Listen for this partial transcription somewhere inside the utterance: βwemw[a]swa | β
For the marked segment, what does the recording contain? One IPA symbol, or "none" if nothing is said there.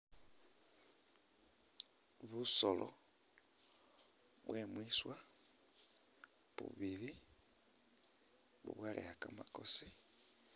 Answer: i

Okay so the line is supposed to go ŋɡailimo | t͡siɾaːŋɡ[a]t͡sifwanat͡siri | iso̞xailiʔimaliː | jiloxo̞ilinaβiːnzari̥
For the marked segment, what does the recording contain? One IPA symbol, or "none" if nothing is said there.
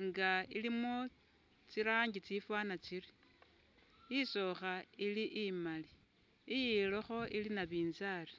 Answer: i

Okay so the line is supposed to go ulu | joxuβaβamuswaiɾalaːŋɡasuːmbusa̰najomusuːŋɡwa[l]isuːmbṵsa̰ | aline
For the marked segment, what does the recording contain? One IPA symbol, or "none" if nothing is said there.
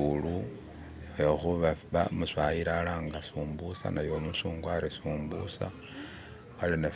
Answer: ɾ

